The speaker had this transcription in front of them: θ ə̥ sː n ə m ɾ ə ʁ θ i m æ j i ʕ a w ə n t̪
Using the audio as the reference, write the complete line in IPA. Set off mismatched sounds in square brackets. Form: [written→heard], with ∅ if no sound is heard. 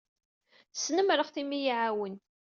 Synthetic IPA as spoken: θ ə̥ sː n ə m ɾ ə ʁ θ i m [æ→i] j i ʕ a w ə n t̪